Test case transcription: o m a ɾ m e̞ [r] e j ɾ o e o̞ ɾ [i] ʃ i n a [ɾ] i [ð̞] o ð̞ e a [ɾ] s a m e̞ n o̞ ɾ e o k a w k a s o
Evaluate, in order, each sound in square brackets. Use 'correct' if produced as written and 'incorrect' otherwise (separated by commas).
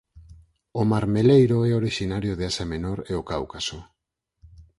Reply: incorrect, correct, correct, incorrect, incorrect